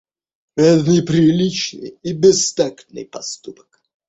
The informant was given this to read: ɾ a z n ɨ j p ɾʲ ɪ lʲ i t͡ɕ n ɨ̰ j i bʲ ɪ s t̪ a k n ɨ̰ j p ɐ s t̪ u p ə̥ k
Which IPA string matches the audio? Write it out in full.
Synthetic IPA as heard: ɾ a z n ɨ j p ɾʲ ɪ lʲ i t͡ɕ n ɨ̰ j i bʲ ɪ s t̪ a k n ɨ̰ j p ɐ s t̪ u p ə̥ k